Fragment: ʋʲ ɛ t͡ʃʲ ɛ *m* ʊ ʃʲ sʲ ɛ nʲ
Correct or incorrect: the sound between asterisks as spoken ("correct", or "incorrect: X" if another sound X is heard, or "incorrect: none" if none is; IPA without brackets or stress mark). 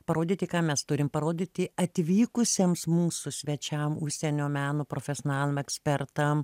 correct